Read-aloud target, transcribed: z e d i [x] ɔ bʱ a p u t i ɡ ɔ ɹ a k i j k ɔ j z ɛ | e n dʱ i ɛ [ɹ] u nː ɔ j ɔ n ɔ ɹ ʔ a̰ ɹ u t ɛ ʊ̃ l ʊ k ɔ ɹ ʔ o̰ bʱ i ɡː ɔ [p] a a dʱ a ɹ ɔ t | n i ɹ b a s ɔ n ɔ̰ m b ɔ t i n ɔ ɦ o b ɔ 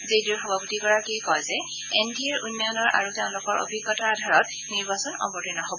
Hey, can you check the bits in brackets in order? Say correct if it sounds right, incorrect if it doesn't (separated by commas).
correct, correct, incorrect